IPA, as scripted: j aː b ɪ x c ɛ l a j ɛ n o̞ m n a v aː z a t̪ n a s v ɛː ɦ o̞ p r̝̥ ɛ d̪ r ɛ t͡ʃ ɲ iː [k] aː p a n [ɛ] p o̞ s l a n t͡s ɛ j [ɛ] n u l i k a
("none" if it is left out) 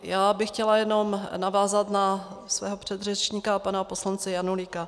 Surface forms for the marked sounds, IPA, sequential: k, a, a

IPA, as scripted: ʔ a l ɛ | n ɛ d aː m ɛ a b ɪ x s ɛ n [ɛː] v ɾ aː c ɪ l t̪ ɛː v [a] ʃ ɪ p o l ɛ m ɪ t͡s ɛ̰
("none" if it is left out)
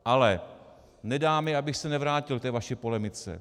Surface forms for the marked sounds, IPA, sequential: ɛ, a

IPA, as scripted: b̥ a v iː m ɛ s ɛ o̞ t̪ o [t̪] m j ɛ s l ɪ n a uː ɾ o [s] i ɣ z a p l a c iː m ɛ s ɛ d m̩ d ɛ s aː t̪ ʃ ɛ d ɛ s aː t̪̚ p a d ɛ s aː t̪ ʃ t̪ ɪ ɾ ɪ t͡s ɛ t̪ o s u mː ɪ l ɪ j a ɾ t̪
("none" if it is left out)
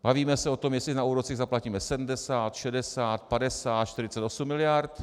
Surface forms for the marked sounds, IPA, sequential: none, t͡s

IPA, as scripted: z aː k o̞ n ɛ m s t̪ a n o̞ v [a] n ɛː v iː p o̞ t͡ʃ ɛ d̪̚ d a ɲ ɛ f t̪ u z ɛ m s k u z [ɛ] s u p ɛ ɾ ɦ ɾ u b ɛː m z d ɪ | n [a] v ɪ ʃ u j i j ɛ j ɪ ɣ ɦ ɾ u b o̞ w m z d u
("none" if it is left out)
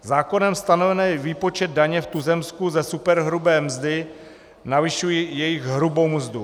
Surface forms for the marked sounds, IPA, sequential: ɛ, ɛ, a

